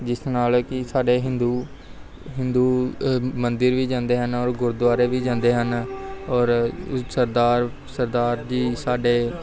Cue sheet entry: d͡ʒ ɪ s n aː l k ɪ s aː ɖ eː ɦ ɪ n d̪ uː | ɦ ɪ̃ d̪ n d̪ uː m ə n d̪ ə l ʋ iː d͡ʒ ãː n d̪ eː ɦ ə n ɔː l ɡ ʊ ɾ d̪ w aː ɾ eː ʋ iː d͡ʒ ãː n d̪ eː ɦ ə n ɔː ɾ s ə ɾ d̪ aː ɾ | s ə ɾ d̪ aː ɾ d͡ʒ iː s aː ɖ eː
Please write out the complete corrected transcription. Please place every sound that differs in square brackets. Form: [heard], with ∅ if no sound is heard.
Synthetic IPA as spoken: d͡ʒ ɪ s n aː l k ɪ s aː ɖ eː ɦ ɪ n d̪ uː | ɦ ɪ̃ [∅] n d̪ uː m ə n d̪ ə [ɾ] ʋ iː d͡ʒ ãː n d̪ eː ɦ ə n ɔː [ɾ] ɡ ʊ ɾ d̪ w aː ɾ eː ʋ iː d͡ʒ ãː n d̪ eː ɦ ə n ɔː ɾ s ə ɾ d̪ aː ɾ | s ə ɾ d̪ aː ɾ d͡ʒ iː s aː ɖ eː